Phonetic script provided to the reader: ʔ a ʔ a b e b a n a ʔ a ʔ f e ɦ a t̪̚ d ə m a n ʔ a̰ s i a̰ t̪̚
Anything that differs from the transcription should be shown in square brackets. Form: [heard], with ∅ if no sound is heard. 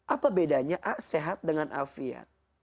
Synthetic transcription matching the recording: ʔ a [p] a b e [d] a [ɲ] a ʔ a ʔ [s] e ɦ a t̪̚ d ə [ŋ] a n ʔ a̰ [f] i a̰ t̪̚

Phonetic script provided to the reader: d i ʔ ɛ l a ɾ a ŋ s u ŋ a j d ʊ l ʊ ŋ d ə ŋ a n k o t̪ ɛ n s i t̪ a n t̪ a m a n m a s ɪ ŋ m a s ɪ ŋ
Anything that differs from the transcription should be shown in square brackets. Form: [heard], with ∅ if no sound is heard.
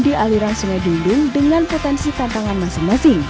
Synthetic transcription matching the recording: d i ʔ [a] l [i] ɾ a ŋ s u ŋ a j d [u] l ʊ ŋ d ə ŋ a n [p] o t̪ ɛ n s i t̪ a n t̪ a [ŋ] a n m a s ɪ ŋ m a s ɪ ŋ

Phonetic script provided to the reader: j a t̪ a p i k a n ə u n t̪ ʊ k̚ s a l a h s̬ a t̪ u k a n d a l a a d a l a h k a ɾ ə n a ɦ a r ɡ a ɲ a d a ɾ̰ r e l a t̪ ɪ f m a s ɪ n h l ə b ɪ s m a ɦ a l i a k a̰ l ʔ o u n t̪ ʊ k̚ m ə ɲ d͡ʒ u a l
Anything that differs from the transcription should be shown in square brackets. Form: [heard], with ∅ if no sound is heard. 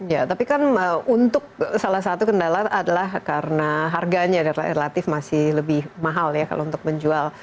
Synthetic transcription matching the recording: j a t̪ a p i k a n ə u n t̪ ʊ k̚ s a l a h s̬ a t̪ u k [ə] n d a l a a d a l a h k a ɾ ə n a ɦ a r ɡ a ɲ a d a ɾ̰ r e l a t̪ ɪ f m a s ɪ [∅] h l ə b ɪ [h] m a ɦ a l [j] a k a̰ l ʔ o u n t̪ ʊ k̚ m ə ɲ d͡ʒ u a l

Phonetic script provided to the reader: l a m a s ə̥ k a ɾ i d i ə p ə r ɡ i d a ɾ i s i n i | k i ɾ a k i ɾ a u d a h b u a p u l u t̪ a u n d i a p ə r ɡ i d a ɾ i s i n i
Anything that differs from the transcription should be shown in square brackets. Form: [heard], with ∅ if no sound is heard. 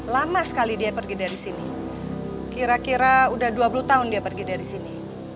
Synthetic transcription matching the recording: l a m a s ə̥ k a [l] i d i [a] p ə r ɡ i d a ɾ i s i n i | k i ɾ a k i ɾ a u d a h [d] u a p u l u t̪ a [ʊ] n d i a p ə r ɡ i d a ɾ i s i n i

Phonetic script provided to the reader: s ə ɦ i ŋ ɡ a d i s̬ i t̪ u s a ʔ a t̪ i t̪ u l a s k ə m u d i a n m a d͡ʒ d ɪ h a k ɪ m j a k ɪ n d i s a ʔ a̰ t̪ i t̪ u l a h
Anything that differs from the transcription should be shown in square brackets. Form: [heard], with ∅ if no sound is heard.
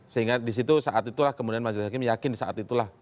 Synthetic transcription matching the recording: s ə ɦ i ŋ ɡ a d i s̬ i t̪ u s a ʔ a t̪ i t̪ u l a [h] k ə m u d i a n m a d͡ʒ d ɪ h a k ɪ m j a k ɪ n d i s a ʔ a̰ t̪ i t̪ u l a h

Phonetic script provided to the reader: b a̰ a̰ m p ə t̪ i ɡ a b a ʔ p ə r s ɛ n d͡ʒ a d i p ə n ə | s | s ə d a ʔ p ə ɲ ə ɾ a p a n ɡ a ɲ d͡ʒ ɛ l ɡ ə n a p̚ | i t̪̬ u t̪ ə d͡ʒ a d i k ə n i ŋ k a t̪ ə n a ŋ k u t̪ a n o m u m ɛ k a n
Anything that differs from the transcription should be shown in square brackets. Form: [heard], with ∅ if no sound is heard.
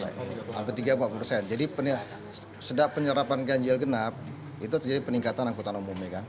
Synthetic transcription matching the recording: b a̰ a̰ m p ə t̪ i ɡ a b a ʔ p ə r s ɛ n d͡ʒ a d i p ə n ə | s | s ə d a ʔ p ə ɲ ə ɾ a p a n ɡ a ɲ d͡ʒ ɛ l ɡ ə n a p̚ | i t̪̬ u t̪ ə d͡ʒ a d i [p] ə n i ŋ k a t̪ [a] n a ŋ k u t̪ a n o m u m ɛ k a n

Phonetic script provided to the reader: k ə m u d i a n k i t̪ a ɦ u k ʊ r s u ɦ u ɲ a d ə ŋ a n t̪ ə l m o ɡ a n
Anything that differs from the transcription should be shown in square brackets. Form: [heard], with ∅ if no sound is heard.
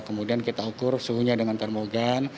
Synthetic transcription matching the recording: k ə m u d i a n k i t̪ a [∅] u k ʊ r s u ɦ u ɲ a d ə ŋ a n t̪ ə [r] m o ɡ a n

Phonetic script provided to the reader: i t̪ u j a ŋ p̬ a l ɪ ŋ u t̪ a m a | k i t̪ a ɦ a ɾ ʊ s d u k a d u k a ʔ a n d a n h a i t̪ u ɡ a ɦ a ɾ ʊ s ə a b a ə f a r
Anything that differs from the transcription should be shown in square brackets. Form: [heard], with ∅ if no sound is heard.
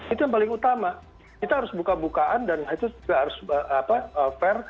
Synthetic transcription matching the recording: i t̪ u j a ŋ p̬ a l ɪ ŋ u t̪ a m a | k i t̪ a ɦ a ɾ ʊ s [b] u k a [b] u k a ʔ a n d a n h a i t̪ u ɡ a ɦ a ɾ ʊ s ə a [p] a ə f [ɛ] r

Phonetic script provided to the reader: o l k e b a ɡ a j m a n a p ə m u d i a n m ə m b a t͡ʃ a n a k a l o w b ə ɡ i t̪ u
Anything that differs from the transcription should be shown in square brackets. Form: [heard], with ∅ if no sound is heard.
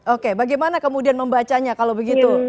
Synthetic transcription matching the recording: o [∅] k e b a ɡ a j m a n a [k] ə m u d i a n m ə m b a t͡ʃ a [ɲ] a k a l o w b ə ɡ i t̪ u

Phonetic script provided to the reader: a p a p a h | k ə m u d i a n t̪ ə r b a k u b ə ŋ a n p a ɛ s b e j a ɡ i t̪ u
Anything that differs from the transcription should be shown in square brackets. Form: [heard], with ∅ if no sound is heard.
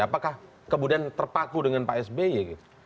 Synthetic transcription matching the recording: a p a [k] a h | k ə m u d i a n t̪ ə r [p] a k u [d] ə ŋ a n p a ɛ s b e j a ɡ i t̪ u

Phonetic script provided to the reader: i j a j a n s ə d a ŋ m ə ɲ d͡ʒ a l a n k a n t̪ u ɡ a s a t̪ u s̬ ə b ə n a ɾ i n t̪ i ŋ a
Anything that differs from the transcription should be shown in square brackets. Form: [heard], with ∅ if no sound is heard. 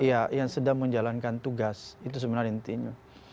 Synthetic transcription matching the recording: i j a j a [ŋ] s ə d a ŋ m ə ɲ d͡ʒ a l a n k a n t̪ u ɡ a s [i] t̪ u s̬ ə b ə n a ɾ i n t̪ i [ɲ] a

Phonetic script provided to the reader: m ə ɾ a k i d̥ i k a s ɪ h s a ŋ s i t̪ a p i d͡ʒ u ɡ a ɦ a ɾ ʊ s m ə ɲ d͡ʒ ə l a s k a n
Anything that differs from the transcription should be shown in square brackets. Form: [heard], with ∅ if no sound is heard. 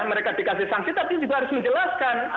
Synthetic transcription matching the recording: m ə ɾ [e] k [a] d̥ i k a s ɪ h s a ŋ s i t̪ a p i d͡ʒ u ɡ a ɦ a ɾ ʊ s m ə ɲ d͡ʒ ə l a s k a n

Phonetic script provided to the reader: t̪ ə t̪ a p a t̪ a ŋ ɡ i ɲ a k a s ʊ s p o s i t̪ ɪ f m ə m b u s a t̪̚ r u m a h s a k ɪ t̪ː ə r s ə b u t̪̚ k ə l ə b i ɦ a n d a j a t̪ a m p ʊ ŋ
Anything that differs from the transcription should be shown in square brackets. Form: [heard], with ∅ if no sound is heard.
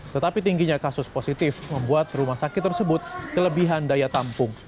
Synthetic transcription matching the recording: t̪ ə t̪ a p [i] t̪ [i] ŋ ɡ i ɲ a k a s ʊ s p o s i t̪ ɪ f m ə m b u [∅] a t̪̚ r u m a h s a k ɪ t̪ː ə r s ə b [ʊ] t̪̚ k ə l ə b i ɦ a n d a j a t̪ a m p ʊ ŋ

